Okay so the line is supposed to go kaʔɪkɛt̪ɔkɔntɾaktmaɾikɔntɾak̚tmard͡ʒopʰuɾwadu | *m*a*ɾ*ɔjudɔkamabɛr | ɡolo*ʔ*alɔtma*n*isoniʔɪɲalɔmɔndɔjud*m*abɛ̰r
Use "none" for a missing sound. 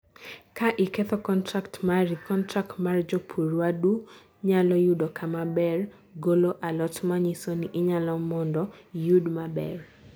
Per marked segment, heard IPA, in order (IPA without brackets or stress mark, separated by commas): ɲ, l, ʔ, ɲ, m